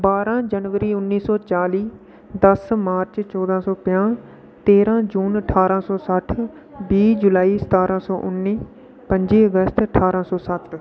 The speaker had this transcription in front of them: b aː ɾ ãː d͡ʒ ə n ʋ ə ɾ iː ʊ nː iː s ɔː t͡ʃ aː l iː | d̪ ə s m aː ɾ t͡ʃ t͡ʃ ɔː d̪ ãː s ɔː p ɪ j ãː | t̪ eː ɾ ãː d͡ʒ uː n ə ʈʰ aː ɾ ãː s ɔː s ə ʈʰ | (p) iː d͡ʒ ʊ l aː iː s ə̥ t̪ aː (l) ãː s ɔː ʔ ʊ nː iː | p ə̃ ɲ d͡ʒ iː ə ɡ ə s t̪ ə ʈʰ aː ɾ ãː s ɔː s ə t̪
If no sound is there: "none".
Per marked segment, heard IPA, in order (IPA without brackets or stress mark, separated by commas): b, ɾ